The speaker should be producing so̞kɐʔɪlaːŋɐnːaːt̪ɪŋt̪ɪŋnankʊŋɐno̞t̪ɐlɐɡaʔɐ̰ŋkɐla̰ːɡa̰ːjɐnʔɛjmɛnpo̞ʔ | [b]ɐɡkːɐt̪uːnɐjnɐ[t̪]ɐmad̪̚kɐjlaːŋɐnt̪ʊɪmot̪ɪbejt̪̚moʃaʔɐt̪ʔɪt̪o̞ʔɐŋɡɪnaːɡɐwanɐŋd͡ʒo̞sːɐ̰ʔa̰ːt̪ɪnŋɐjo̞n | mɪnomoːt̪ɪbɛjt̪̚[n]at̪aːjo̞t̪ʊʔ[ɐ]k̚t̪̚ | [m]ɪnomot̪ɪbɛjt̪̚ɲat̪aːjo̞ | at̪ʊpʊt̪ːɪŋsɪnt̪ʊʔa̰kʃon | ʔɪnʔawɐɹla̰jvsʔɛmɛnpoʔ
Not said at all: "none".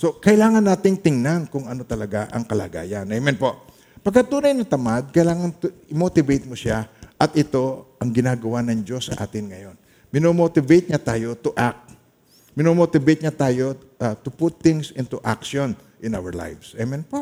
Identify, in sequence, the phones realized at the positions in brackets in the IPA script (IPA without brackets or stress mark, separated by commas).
p, t̪, ɲ, a, m